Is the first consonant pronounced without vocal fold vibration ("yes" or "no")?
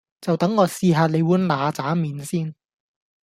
yes